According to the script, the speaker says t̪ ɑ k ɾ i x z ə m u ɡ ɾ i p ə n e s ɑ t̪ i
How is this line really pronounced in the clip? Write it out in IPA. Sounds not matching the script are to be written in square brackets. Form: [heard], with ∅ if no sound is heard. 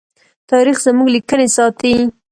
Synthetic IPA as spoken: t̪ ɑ [∅] ɾ i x z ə m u ɡ [l] i [k] ə n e s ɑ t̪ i